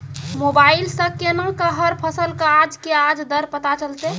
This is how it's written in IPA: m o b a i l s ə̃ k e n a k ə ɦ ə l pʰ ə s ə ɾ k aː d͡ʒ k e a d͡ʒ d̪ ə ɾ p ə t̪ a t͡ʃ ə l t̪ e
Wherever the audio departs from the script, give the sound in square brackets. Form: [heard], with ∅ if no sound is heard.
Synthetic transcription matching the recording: m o b a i l s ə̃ k e n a k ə ɦ ə [ɾ] pʰ ə s ə [l] k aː d͡ʒ k e a d͡ʒ d̪ ə ɾ p ə t̪ a t͡ʃ ə l t̪ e